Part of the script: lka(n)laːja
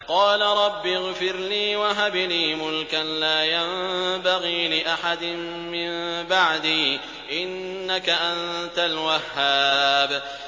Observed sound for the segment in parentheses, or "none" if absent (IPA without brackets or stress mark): n